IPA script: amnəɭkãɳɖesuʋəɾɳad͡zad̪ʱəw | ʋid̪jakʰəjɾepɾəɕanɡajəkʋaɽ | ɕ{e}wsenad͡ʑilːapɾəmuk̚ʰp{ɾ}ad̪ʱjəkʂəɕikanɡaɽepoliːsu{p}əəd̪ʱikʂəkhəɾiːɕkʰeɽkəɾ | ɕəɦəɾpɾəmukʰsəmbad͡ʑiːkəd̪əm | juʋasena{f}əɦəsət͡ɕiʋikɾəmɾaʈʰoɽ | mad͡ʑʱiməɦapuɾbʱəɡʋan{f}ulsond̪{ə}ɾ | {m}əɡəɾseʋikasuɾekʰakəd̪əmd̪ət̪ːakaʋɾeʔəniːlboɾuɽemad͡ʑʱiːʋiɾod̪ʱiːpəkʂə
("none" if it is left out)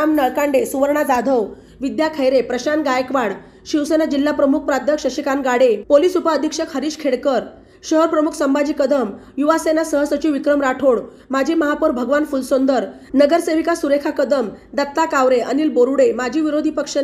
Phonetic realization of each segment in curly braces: i, ɾ, p, s, f, ə, n

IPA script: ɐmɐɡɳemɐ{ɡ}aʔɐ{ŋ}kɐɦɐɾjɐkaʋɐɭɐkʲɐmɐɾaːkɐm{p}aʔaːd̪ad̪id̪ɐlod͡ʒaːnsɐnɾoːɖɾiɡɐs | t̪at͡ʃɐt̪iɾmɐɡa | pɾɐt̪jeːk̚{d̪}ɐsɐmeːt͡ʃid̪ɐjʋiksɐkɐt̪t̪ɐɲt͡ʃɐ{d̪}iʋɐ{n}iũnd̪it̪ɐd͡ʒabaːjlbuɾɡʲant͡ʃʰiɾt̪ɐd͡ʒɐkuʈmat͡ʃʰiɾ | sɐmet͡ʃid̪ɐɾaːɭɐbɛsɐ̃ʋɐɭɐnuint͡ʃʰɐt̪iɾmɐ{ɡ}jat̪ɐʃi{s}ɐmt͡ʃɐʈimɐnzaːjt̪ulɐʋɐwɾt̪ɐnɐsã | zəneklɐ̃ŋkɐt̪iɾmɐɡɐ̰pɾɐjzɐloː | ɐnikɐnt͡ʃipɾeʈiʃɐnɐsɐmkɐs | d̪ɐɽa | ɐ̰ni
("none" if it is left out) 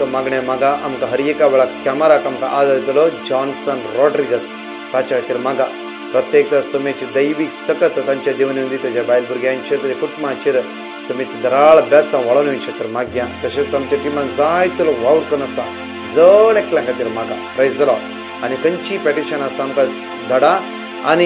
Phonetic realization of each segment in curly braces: ɡ, m, k, t̪, d̪, n, ɡ, s

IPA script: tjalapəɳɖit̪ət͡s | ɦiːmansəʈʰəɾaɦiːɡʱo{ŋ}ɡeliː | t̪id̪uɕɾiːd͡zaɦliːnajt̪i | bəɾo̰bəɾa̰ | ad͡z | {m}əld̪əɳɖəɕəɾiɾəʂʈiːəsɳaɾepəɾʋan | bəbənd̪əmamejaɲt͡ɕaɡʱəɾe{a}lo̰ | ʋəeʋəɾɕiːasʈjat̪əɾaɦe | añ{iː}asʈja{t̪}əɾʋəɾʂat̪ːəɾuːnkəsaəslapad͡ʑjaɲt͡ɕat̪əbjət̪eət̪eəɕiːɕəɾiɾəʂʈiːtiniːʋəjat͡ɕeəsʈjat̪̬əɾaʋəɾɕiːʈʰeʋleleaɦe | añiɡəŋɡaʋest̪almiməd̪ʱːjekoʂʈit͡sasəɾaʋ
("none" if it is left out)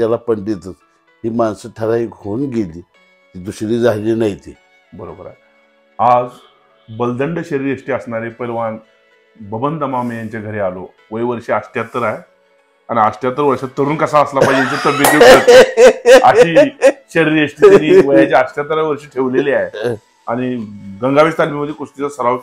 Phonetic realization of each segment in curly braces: n, b, a, i, t̪

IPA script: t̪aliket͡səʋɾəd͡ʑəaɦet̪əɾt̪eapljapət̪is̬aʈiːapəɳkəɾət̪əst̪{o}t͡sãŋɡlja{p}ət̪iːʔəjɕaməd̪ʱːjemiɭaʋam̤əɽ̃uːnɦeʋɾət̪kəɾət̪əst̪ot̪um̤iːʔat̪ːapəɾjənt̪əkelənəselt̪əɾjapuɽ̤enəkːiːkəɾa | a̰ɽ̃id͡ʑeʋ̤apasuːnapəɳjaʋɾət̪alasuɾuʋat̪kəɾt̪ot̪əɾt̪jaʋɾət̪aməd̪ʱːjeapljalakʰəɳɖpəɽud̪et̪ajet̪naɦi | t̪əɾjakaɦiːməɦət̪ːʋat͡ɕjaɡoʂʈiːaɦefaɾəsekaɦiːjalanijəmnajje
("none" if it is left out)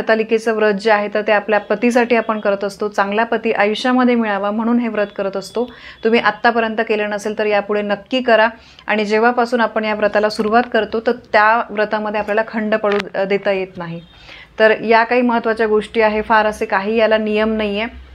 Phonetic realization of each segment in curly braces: o, p

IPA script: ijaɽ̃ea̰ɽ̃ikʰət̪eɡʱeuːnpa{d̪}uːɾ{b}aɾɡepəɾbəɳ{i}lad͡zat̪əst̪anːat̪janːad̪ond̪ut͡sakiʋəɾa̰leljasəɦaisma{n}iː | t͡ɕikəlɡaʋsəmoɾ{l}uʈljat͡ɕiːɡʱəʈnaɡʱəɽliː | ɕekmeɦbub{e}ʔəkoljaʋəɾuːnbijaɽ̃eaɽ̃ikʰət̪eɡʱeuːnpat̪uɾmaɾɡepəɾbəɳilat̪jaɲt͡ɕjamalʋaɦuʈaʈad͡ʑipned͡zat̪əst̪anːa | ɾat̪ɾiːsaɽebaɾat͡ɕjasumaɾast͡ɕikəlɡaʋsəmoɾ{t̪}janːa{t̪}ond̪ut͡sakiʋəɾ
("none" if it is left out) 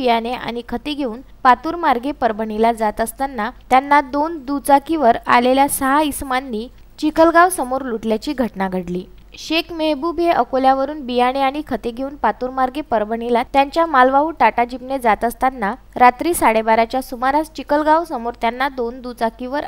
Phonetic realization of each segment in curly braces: t̪, m, i, nː, l, e, t̪, d̪

